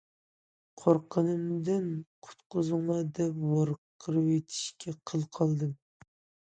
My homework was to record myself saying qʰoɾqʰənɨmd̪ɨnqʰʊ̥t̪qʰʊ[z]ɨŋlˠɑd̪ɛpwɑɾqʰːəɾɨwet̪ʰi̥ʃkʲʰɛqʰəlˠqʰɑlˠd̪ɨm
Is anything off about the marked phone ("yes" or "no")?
no